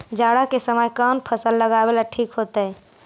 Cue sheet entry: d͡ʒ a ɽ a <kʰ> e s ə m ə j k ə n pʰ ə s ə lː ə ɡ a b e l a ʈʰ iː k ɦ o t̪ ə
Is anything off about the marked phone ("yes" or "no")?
yes